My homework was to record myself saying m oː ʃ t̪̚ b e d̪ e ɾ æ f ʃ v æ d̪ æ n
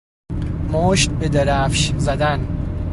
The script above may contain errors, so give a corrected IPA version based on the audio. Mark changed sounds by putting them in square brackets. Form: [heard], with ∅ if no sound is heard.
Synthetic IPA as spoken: m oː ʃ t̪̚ b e d̪ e ɾ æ f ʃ [z] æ d̪ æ n